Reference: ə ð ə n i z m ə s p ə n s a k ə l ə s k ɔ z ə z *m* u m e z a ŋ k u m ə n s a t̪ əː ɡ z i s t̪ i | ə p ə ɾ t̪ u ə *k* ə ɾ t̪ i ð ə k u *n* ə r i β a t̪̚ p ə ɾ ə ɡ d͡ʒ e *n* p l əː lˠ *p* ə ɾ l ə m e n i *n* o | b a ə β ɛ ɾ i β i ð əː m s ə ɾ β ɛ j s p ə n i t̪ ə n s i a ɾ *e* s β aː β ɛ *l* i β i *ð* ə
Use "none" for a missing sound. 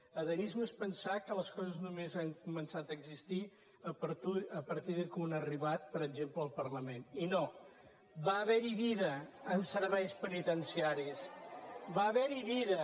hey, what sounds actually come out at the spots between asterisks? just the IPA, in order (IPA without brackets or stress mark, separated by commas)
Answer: n, p, n, m, p, n, i, ɾ, ð